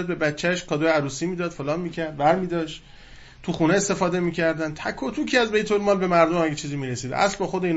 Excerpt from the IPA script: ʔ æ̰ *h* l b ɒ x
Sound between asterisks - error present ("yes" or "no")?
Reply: yes